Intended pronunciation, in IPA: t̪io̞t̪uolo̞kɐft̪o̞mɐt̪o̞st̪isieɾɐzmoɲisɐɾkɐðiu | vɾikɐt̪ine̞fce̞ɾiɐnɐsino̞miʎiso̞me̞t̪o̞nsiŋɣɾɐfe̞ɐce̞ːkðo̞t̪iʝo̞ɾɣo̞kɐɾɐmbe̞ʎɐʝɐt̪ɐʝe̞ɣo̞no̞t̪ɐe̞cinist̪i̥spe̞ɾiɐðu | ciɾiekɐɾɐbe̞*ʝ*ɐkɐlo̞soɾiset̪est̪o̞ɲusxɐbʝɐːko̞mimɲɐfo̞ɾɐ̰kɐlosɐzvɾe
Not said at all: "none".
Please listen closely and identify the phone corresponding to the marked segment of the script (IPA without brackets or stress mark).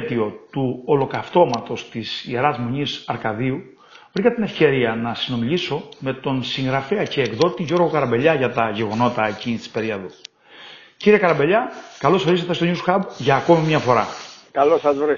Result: ʎ